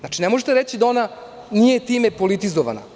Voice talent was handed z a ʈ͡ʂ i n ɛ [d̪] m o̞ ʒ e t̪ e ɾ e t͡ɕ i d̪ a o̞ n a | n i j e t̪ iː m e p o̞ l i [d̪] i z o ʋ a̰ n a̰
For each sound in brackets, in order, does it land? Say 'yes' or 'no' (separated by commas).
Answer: no, no